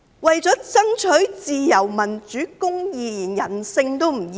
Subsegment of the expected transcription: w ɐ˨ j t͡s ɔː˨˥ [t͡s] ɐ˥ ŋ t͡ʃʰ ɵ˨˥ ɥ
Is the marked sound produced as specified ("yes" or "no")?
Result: yes